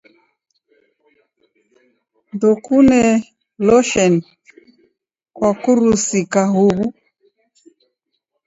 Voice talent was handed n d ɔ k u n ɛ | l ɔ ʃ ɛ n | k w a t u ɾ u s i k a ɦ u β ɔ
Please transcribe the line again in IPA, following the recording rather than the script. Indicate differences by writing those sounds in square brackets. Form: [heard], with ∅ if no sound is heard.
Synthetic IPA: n d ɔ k u n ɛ | l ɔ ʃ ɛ n | k w a [k] u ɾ u s i k a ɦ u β [u]